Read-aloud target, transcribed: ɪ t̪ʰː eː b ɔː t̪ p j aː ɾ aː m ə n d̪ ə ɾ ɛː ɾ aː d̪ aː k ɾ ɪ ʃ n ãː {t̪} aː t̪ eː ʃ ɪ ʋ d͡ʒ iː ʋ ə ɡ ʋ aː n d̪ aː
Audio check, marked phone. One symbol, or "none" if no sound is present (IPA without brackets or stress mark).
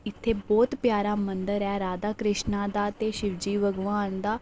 d̪